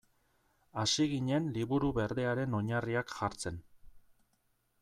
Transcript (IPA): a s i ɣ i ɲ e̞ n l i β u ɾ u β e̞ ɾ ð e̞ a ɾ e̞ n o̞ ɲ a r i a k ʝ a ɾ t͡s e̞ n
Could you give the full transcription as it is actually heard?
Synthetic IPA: a s i ɣ i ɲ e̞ n l i β u ɾ u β e̞ ɾ ð e̞ a ɾ e̞ n o̞ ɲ a r i a k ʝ a ɾ t͡s e̞ n

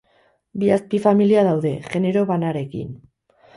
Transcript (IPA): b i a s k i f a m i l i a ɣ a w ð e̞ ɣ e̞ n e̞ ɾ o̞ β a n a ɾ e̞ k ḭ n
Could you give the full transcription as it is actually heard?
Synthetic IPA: b i a s p i f a m i l i a ð a w ð e̞ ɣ e̞ n e̞ ɾ o̞ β a n a ɾ e̞ k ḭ n

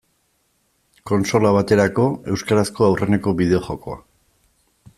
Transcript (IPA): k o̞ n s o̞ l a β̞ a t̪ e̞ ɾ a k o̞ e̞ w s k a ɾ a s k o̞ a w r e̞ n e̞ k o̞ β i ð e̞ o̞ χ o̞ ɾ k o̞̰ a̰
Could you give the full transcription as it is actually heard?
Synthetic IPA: k o̞ n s o̞ l a β̞ a t̪ e̞ ɾ a k o̞ e̞ w s k a ɾ a s k o̞ a w r e̞ n e̞ k o̞ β i ð e̞ o̞ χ o̞ k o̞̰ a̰

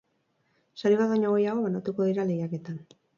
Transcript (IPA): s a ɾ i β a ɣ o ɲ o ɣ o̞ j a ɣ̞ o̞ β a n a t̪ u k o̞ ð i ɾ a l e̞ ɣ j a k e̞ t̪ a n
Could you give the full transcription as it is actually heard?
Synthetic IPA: s a ɾ i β a ð o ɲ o ɣ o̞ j a ɣ̞ o̞ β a n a t̪ u k o̞ ð i ɾ a l e̞ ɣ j a k e̞ t̪ a n

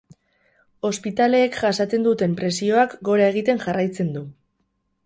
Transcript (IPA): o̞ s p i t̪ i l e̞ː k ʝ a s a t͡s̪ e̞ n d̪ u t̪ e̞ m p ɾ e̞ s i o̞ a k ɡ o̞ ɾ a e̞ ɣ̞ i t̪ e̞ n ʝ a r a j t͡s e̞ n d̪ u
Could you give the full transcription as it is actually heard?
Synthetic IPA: o̞ s p i t̪ a l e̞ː k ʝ a s a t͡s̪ e̞ n d̪ u t̪ e̞ m p ɾ e̞ s i o̞ a k ɡ o̞ ɾ a e̞ ɣ̞ i t̪ e̞ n ʝ a r a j t͡s e̞ n d̪ u

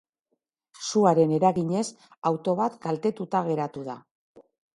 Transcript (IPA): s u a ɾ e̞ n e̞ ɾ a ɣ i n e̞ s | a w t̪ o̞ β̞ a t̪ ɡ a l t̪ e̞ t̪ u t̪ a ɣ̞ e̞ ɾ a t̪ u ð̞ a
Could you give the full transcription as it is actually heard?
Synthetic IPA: s u a ɾ e̞ n e̞ ɾ a ɣ i ɲ e̞ s | a w t̪ o̞ β̞ a t̪ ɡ a l t̪ e̞ t̪ u t̪ a ɣ̞ e̞ ɾ a t̪ u ð̞ a

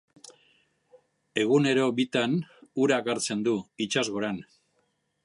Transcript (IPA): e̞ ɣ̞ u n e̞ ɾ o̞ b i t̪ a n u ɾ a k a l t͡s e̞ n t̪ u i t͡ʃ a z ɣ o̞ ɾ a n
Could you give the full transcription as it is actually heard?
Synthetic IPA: e̞ ɣ̞ u n e̞ ɾ o̞ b i t̪ a n u ɾ a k a ɾ t͡s e̞ n d̪ u i t͡ʃ a z ɣ o̞ ɾ a n

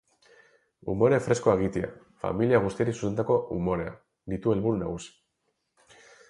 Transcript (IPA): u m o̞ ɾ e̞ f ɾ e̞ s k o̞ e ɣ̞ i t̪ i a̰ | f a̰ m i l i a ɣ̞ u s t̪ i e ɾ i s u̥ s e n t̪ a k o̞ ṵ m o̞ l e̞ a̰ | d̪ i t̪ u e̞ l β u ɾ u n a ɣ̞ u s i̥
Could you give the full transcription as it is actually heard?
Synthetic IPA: u m o̞ ɾ e̞ f ɾ e̞ s k o̞ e ɣ̞ i t̪ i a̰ | f a̰ m i l i a ɣ̞ u s t̪ i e ɾ i s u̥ s e n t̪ a k o̞ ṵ m o̞ ɾ e̞ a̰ | d̪ i t̪ u e̞ l β u ɾ u n a ɣ̞ u s i̥

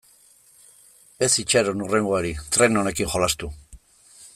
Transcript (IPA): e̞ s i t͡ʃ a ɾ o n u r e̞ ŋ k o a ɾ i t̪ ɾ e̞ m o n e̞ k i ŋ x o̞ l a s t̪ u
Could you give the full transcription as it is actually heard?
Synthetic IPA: e̞ s i t͡ʃ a ɾ o n u r e̞ ŋ ɡ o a ɾ i t̪ ɾ e̞ n o n e̞ k i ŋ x o̞ l a s t̪ u

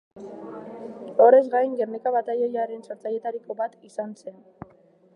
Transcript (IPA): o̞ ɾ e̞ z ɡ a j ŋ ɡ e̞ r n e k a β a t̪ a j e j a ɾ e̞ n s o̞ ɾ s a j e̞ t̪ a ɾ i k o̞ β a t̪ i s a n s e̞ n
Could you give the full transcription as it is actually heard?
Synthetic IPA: o̞ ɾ e̞ z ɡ a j ŋ ɡ e̞ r n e k a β a t̪ a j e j a ɾ e̞ n s o̞ ɾ t͡s a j e̞ t̪ a ɾ i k o̞ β a t̪ i s a n s e̞ n

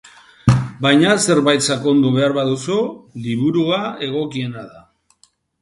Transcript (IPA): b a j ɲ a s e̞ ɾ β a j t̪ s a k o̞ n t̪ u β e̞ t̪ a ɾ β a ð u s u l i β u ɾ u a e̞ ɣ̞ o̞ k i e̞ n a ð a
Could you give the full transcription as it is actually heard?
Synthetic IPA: b a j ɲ a s e̞ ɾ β a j t̪ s a k o̞ n d̪ u β e̞ a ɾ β a ð u s u l i β u ɾ u a e̞ ɣ̞ o̞ k i e̞ n a ð a

